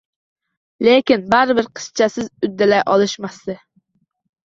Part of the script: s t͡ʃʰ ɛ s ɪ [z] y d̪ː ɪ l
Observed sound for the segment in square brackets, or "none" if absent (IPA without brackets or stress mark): z